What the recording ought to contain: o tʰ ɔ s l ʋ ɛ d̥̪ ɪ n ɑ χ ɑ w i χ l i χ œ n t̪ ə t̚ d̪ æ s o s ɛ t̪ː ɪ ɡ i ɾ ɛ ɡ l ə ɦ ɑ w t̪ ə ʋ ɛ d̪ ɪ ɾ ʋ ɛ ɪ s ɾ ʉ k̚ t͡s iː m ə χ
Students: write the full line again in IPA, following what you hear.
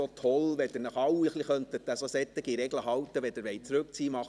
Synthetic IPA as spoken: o tʰ ɔ l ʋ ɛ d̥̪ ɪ n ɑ χ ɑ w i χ l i χ œ n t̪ ə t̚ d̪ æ s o s ɛ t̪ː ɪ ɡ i ɾ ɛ ɡ l ə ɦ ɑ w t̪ ə ʋ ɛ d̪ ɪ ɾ ʋ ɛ ɪ t͡s ɾ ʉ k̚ t͡s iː m ɑ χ